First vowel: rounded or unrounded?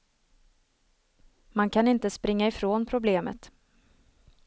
unrounded